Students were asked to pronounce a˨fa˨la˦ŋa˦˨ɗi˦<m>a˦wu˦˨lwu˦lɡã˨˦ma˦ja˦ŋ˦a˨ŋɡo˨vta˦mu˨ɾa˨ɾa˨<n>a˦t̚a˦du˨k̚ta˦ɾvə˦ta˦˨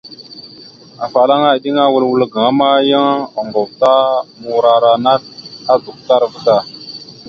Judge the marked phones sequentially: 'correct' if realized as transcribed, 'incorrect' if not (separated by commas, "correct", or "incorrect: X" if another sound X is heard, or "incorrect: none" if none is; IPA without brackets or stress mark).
incorrect: ŋ, correct